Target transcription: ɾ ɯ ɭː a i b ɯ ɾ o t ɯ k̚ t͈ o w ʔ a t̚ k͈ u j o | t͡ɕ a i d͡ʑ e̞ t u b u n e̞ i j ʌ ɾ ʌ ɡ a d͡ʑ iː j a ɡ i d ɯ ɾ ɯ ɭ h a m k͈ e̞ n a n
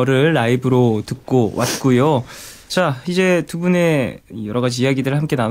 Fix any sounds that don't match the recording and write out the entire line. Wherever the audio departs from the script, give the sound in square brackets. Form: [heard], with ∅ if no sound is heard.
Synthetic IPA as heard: ɾ ɯ ɭː a i b ɯ ɾ o t ɯ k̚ [k͈] o w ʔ a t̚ k͈ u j o | t͡ɕ a i d͡ʑ e̞ t u b u n e̞ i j ʌ ɾ ʌ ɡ a d͡ʑ iː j a ɡ i d ɯ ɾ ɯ ɭ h a m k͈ e̞ n a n